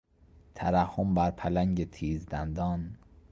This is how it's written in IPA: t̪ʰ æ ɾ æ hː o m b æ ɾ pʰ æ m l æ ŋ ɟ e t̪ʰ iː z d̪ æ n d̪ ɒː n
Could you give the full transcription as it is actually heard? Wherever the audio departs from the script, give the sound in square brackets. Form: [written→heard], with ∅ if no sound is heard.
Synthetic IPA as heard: t̪ʰ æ ɾ æ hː o m b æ ɾ pʰ æ [m→∅] l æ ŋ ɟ e t̪ʰ iː z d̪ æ n d̪ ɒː n